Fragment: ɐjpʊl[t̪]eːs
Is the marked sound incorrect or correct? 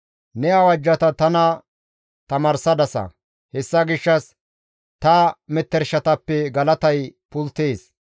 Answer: correct